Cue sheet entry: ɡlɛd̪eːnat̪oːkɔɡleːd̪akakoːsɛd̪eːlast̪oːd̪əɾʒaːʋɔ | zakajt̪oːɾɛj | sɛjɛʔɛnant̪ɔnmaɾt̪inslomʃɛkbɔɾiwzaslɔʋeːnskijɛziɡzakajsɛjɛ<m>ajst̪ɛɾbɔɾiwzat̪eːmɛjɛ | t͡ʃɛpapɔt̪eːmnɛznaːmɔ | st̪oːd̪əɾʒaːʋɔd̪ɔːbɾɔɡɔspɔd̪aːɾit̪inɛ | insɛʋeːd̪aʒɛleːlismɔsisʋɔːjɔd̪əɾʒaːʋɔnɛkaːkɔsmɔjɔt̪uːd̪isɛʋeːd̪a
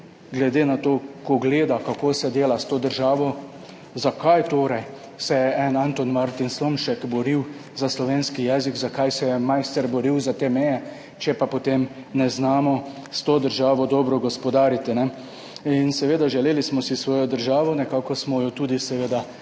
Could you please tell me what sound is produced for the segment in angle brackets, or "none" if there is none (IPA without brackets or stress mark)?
m